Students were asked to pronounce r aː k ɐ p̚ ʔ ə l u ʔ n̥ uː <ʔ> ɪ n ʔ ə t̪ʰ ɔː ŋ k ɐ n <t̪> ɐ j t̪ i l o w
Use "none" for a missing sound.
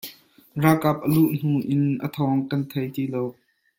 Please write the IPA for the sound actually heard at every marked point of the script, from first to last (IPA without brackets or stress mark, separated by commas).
ʔ, t̪ʰ